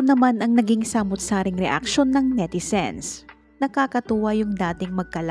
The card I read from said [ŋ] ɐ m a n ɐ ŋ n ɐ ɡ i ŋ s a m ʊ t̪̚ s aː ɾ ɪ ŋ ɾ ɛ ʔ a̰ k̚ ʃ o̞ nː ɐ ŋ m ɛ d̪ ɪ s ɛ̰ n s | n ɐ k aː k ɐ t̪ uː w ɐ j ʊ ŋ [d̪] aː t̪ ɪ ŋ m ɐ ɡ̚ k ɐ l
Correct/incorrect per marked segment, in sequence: incorrect: n, correct

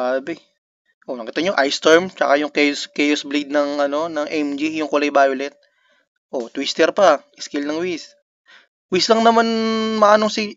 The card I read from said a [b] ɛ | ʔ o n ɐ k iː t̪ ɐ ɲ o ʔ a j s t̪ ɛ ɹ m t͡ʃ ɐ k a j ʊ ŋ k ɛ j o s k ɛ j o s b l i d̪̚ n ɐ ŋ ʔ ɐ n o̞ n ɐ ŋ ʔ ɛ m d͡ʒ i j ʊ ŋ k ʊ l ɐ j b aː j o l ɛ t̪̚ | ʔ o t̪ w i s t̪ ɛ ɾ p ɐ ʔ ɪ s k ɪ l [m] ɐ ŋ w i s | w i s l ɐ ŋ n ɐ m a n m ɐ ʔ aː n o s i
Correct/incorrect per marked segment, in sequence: correct, incorrect: n

